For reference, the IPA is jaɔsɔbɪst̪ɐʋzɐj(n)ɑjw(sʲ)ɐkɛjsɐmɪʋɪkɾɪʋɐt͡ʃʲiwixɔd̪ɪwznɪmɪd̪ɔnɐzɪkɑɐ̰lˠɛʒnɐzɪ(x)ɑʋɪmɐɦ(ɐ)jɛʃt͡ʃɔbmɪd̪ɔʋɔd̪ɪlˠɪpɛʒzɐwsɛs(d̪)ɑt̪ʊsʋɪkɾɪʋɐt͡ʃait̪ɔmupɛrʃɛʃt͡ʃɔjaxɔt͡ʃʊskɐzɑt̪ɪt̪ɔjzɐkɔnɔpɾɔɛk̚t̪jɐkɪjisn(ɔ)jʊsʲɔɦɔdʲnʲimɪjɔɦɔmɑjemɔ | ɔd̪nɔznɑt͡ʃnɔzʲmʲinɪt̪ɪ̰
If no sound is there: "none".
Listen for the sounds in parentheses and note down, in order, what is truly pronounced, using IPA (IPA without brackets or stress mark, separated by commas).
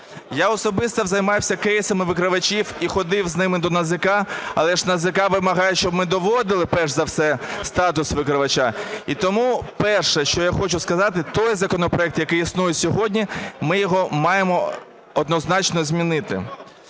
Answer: m, sʲ, k, ɑ, t̪, u